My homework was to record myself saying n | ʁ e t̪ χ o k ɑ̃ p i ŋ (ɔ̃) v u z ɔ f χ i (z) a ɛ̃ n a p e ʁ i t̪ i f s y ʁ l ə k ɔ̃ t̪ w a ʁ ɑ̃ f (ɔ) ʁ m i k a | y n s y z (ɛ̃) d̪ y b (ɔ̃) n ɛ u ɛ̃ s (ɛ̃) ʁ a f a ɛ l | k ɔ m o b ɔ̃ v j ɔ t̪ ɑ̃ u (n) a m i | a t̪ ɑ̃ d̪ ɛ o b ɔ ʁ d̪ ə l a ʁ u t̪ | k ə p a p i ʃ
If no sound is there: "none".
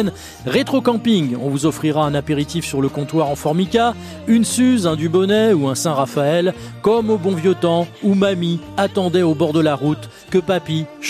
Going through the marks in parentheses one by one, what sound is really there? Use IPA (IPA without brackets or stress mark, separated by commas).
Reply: ɔ̃, ʁ, ɔ, ɛ̃, ɔ, ɛ̃, m